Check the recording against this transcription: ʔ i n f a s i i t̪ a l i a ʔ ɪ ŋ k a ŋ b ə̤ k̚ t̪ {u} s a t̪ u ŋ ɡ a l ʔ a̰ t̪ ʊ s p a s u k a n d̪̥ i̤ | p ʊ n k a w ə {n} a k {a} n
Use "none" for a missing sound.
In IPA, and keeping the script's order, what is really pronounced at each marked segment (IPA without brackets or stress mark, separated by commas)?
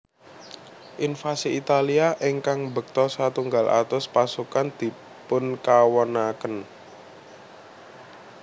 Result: ɔ, n, ə